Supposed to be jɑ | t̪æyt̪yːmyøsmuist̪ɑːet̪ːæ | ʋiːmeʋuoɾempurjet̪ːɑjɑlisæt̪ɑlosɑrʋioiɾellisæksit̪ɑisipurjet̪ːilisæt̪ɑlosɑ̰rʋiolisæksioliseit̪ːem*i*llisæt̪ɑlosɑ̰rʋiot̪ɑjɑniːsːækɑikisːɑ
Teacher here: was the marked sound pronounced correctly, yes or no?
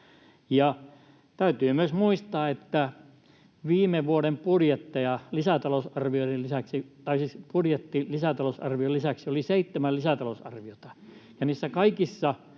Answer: no